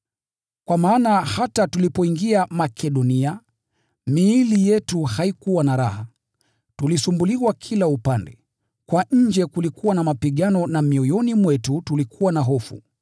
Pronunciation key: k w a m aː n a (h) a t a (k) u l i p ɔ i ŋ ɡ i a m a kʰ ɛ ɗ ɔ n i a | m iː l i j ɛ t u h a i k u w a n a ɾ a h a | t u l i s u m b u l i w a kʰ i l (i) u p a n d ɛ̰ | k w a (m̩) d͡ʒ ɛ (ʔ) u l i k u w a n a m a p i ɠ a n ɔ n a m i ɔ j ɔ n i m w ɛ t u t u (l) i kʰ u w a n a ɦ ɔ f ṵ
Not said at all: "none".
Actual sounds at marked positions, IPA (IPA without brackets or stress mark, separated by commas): h, t, a, ɲ̩, k, l